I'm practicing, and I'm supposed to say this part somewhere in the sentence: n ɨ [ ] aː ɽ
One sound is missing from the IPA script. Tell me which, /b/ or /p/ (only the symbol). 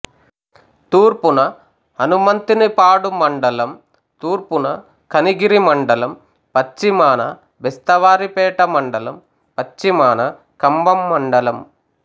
p